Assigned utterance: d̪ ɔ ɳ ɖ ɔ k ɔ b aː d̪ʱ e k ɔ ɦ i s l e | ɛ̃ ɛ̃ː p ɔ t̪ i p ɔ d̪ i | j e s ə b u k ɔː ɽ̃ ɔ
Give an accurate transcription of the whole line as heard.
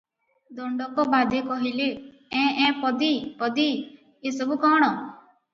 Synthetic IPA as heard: d̪ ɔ ɳ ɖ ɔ k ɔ b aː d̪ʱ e k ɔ ɦ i l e | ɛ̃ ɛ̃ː p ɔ d̪ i p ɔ d̪ i | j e s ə b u k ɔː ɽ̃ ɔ

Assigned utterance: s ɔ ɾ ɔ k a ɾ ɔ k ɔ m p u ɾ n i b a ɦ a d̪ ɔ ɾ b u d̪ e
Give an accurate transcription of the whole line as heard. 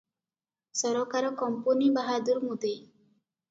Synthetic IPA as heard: s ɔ ɾ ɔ k a ɾ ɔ k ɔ m p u n i b a ɦ a d̪ u ɾ m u d̪ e

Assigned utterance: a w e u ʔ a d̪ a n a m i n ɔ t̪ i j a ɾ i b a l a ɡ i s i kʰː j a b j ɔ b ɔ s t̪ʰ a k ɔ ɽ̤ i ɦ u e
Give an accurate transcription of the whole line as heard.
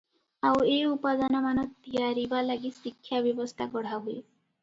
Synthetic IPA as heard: a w e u p a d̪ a n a m a n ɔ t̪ i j a ɾ i b a l a ɡ i s i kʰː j a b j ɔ b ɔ s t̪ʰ a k ɔ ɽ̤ a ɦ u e

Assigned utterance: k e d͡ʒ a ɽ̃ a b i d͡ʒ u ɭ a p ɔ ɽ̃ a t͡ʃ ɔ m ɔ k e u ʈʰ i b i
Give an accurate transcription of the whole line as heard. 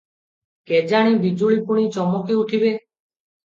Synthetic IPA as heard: k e d͡ʒ a ɽ̃ i b i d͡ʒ u ɭ i p u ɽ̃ i t͡ʃ ɔ m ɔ k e u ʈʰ i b e

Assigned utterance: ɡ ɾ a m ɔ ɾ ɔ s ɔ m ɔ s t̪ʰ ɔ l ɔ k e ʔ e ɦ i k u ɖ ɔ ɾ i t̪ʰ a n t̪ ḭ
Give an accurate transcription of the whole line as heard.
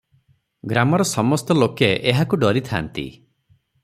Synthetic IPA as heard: ɡ ɾ a m ɔ ɾ ɔ s ɔ m ɔ s t̪ ɔ l o k e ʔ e ɦ a k u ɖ ɔ ɾ i t̪ʰ a n t̪ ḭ

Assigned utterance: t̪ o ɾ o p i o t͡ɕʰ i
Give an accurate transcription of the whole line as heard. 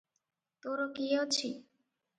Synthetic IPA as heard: t̪ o ɾ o k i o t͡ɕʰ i

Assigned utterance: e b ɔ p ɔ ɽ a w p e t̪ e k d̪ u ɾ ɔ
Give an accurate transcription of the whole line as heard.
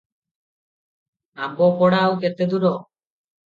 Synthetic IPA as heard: a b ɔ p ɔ ɽ a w k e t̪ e d̪ u ɾ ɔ

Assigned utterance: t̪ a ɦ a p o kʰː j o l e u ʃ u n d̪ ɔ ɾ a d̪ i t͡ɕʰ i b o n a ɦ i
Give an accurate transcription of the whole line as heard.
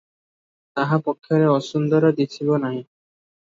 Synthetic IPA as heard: t̪ a ɦ a p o kʰː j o ɾ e ɔ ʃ u n d̪ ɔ ɾ a d̪ i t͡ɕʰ i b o n a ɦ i

